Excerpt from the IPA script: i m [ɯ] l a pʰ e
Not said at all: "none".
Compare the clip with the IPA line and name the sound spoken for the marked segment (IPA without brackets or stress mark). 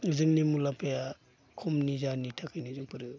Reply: u